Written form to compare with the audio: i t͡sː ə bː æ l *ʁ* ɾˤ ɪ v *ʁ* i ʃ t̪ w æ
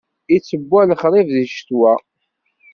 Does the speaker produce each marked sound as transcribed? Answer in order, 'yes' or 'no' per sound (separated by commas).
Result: no, no